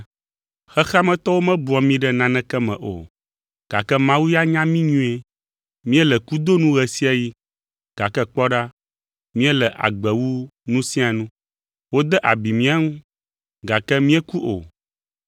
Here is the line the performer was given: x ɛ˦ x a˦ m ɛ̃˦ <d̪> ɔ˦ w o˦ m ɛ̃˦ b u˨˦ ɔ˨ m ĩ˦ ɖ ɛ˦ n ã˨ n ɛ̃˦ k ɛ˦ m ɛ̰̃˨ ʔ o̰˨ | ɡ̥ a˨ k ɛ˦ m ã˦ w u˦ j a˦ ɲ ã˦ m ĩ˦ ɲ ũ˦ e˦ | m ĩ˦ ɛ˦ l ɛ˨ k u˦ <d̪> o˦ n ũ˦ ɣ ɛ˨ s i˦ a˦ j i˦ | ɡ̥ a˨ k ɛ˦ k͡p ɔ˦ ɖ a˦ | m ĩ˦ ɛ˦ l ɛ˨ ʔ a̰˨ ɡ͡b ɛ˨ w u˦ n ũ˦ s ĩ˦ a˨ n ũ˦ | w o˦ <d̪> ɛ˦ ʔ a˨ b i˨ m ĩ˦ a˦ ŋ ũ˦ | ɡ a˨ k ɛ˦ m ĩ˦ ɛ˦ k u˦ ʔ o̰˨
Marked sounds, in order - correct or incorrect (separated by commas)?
incorrect, correct, correct